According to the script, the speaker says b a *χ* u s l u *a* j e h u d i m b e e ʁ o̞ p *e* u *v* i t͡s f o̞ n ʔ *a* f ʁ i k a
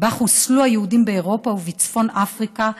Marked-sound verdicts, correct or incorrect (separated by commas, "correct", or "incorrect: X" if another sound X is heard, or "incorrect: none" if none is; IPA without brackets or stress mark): correct, correct, incorrect: a, correct, correct